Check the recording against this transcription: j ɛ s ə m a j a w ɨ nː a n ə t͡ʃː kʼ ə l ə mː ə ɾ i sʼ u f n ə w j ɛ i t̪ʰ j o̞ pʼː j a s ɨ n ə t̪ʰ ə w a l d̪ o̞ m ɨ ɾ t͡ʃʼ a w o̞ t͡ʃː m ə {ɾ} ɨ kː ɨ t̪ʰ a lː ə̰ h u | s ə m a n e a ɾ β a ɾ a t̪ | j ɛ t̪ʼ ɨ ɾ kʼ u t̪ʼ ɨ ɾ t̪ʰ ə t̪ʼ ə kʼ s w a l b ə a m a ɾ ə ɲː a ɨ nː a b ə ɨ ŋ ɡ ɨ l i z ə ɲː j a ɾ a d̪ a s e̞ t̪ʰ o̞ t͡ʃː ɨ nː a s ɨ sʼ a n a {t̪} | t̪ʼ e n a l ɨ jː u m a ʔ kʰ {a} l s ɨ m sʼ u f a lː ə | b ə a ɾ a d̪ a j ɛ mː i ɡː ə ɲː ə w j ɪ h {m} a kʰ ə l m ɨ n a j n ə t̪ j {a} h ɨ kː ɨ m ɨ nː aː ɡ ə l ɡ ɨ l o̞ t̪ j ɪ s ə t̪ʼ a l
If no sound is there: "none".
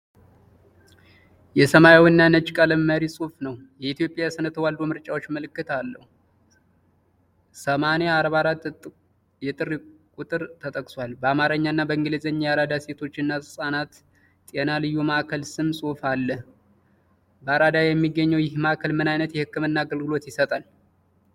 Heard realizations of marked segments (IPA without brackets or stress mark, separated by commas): l, t̪, ə, m, ɛ